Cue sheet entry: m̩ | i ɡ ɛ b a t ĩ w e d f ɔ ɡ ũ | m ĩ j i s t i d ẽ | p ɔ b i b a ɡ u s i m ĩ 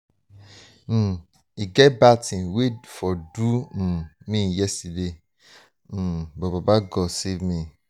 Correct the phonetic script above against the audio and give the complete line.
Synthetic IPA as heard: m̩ | i ɡ ɛ b a t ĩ w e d f ɔ d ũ | m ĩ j ɛ s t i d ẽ | b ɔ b a b a ɡ ɔ s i m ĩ